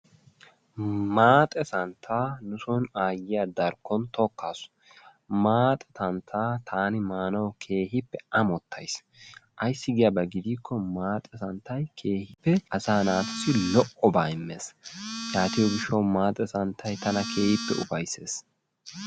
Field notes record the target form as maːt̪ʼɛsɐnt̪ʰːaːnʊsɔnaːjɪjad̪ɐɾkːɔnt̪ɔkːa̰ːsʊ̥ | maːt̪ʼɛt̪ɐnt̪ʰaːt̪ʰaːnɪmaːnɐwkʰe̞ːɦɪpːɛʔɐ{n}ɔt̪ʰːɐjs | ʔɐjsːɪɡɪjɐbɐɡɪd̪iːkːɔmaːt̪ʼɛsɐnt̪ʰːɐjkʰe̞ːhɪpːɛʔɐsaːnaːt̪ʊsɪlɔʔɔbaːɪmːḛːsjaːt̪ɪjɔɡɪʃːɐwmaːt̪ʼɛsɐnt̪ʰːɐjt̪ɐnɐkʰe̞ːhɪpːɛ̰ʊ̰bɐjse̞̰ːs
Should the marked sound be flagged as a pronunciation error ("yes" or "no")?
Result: yes